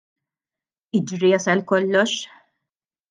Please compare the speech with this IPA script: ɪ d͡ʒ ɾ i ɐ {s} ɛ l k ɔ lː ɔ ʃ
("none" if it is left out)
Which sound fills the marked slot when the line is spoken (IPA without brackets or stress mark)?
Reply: s